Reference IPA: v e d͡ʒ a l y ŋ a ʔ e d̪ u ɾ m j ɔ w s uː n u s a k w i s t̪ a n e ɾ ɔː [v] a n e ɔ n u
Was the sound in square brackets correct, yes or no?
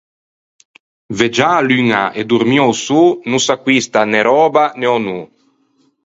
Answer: no